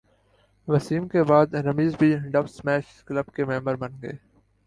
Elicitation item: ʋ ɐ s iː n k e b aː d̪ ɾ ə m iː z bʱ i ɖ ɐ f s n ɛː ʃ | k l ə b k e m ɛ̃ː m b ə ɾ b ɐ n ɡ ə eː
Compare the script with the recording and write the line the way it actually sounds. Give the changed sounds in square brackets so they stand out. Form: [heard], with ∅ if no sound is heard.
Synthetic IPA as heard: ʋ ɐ s iː [m] k e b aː d̪ ɾ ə m iː z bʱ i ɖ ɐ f s [m] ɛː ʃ | k l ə b k e m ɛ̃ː m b ə ɾ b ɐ n ɡ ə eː